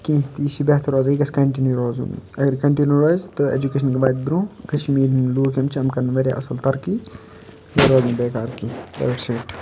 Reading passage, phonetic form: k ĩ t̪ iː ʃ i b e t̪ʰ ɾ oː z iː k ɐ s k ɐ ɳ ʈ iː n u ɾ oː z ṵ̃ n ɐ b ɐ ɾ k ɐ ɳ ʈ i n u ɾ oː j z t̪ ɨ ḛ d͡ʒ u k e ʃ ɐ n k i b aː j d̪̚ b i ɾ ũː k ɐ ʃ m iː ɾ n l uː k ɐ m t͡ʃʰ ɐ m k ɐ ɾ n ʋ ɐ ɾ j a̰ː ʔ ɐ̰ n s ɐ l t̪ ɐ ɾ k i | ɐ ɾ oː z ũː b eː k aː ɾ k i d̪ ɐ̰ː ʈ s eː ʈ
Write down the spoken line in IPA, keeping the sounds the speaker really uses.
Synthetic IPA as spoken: k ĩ t̪ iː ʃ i b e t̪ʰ ɾ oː z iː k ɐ s k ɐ ɳ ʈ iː n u ɾ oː z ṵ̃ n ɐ ɡ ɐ ɾ k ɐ ɳ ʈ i n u ɾ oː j z t̪ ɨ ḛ d͡ʒ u k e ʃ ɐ n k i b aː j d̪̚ b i ɾ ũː k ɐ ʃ m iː ɾ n l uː k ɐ m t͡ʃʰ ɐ m k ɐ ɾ n ʋ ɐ ɾ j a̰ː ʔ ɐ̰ s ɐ l t̪ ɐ ɾ k i | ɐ ɾ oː z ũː b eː k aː ɾ k i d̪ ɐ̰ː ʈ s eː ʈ